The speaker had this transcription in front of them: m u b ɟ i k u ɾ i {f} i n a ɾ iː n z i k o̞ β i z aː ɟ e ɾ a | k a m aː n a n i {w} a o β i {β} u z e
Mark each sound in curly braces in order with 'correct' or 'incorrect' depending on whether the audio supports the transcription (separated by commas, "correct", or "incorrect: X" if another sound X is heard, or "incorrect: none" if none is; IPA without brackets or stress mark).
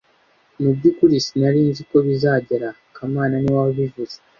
incorrect: s, correct, incorrect: v